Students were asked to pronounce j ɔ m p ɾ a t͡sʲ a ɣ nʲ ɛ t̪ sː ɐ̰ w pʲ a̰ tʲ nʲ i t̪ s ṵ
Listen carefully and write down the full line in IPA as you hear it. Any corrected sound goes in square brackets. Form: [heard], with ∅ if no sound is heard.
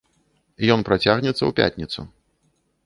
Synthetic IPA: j ɔ [n] p ɾ a t͡sʲ a ɣ nʲ ɛ t̪ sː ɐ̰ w pʲ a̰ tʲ nʲ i t̪ s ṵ